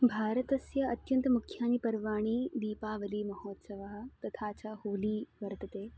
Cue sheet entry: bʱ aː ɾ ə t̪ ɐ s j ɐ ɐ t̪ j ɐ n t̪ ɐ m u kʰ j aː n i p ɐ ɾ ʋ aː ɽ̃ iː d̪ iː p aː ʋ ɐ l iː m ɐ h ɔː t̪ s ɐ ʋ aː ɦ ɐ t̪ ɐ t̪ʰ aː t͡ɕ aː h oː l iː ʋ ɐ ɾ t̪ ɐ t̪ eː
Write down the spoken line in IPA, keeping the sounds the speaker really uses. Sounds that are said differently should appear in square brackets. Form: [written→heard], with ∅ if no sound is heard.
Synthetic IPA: bʱ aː ɾ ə t̪ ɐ s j ɐ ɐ t̪ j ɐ n t̪ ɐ m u kʰ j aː n i p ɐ ɾ ʋ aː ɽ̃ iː d̪ iː p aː ʋ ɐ l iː m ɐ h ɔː t̪ s ɐ ʋ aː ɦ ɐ t̪ ɐ t̪ʰ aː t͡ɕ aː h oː l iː ʋ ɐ ɾ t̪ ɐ t̪ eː